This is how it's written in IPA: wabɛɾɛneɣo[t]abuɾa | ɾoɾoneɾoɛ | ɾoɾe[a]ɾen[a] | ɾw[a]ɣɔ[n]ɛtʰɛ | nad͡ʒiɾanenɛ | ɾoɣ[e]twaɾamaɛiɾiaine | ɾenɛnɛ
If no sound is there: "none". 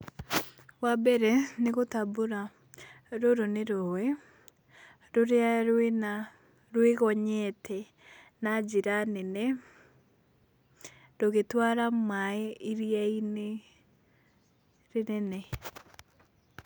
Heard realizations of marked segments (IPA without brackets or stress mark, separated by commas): t, a, a, e, ɲ, e